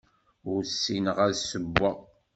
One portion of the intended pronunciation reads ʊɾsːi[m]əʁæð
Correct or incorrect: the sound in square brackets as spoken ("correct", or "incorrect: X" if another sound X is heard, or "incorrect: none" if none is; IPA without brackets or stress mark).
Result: incorrect: n